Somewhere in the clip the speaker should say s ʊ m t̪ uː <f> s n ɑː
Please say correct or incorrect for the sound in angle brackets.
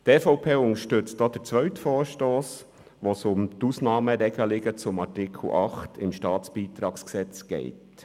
incorrect